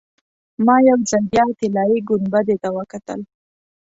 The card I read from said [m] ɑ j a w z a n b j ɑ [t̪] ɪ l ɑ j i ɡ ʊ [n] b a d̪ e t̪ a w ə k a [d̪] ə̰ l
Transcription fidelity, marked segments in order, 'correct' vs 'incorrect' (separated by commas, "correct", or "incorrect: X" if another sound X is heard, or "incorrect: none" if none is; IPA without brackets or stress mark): correct, correct, correct, incorrect: t̪